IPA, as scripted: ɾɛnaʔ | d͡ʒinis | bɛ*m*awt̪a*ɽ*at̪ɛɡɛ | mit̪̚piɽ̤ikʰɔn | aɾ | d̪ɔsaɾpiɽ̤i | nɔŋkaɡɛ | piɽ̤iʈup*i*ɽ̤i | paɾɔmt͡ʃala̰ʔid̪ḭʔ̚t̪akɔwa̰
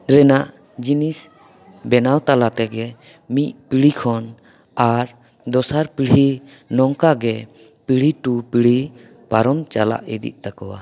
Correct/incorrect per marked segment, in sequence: incorrect, incorrect, correct

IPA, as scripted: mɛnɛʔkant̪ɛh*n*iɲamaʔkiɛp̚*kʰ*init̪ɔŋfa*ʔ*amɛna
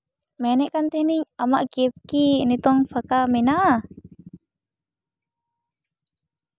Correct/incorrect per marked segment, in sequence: correct, incorrect, incorrect

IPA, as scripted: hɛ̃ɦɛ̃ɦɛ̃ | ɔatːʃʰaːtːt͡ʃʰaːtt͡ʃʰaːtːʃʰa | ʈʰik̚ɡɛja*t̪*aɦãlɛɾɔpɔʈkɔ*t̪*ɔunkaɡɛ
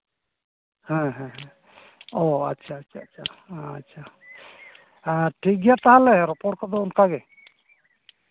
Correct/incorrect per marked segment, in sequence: correct, incorrect

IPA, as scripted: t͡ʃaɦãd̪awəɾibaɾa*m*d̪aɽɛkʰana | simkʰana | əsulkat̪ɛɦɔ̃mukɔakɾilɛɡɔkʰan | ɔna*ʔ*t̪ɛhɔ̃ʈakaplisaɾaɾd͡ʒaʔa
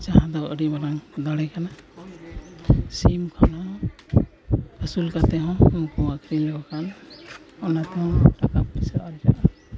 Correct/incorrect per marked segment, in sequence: incorrect, incorrect

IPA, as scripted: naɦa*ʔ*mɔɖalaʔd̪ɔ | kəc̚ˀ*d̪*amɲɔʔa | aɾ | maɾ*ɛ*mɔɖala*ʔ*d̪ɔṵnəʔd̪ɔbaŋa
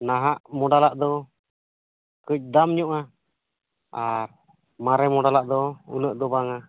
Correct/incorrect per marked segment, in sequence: correct, correct, correct, correct

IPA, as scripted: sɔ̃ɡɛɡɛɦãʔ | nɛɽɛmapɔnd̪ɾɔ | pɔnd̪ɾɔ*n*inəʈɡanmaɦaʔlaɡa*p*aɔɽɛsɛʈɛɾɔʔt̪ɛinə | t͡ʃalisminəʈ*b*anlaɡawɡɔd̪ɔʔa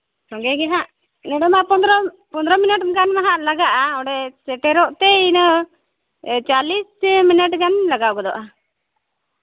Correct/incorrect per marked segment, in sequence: incorrect, incorrect, incorrect

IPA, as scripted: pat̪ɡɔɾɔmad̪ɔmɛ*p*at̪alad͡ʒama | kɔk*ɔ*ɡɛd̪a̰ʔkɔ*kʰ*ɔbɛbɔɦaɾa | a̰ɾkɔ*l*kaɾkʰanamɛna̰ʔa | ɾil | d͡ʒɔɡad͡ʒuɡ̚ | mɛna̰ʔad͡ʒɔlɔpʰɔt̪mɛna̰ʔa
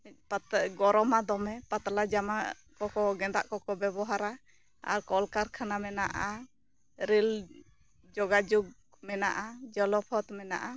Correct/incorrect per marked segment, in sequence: correct, correct, incorrect, correct

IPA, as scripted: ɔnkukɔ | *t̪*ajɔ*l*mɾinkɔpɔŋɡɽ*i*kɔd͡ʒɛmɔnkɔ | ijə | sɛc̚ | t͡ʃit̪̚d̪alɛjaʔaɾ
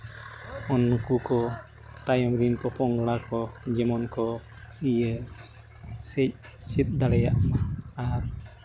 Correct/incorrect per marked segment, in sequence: correct, incorrect, incorrect

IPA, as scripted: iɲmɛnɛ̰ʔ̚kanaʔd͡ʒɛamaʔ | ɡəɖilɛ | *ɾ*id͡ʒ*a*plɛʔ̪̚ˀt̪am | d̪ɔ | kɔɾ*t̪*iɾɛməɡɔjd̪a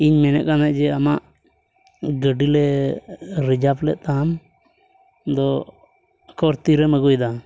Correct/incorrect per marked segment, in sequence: correct, correct, correct

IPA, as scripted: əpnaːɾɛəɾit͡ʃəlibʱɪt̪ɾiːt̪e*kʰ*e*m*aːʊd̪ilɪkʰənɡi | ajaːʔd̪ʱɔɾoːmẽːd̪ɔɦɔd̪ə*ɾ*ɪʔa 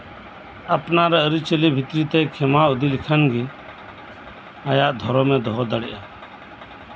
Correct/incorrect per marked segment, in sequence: correct, correct, incorrect

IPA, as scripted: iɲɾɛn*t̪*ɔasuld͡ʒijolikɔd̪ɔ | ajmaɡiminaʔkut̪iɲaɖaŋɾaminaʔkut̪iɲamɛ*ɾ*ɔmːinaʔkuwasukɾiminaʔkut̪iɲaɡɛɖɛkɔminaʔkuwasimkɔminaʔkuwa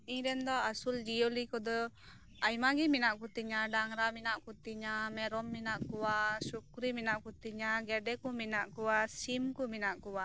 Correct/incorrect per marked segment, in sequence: incorrect, correct

